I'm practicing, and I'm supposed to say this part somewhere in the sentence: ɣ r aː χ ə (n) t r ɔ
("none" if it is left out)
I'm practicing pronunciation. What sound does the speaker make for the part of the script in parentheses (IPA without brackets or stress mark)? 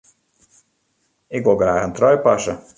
n